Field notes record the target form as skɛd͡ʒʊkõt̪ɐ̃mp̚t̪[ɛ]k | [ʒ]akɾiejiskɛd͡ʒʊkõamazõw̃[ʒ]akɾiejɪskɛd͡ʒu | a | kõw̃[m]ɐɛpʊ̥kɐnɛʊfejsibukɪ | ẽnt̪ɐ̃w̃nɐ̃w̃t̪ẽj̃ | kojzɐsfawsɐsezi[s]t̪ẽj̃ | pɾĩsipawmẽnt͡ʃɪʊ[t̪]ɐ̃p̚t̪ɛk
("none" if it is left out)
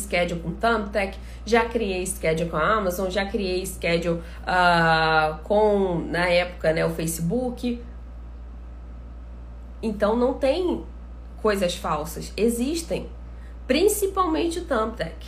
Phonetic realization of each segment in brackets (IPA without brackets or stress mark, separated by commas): ɛ, ʒ, ʒ, n, ʃ, t̪